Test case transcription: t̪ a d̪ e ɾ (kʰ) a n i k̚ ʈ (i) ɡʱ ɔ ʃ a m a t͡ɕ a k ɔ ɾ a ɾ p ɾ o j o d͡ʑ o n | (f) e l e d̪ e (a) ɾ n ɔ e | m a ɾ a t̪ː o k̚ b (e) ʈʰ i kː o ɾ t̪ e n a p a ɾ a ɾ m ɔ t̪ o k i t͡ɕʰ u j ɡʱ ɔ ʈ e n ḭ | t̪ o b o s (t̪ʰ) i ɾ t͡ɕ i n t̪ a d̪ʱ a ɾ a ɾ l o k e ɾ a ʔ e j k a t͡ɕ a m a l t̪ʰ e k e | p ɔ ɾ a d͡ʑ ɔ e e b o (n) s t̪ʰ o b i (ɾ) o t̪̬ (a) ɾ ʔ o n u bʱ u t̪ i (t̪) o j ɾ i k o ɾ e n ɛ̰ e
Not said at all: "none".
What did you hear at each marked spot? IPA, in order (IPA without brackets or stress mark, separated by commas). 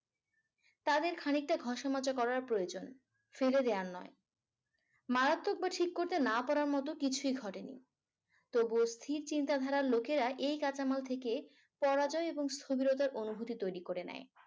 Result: kʰ, a, f, a, a, t̪ʰ, ŋ, ɾ, a, t̪